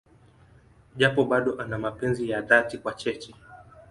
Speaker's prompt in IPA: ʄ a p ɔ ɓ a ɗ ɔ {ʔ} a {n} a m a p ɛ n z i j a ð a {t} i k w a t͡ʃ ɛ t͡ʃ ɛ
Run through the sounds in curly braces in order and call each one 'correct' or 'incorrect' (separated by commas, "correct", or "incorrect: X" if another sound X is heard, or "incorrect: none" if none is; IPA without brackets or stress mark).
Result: correct, correct, correct